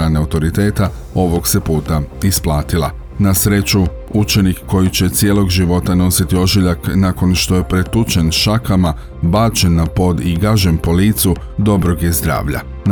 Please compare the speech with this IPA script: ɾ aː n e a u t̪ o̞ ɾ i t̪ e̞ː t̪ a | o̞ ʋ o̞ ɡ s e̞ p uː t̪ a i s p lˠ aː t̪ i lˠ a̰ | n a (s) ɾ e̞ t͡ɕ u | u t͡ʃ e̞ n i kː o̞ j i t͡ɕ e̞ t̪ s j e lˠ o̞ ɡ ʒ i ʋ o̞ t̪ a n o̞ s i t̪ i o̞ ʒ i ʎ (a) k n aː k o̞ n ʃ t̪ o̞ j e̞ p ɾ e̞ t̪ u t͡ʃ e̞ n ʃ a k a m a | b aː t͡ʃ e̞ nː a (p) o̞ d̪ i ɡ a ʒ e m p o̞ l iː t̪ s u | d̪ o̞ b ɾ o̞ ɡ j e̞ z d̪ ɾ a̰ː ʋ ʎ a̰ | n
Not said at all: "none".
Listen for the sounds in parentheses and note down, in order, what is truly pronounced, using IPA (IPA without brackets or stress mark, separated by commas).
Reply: s, a, p